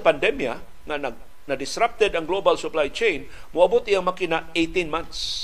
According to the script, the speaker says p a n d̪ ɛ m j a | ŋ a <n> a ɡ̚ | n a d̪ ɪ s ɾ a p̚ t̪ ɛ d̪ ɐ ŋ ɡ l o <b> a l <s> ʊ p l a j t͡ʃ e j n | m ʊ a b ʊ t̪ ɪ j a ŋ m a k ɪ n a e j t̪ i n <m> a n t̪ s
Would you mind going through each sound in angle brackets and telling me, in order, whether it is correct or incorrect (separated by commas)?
correct, correct, correct, correct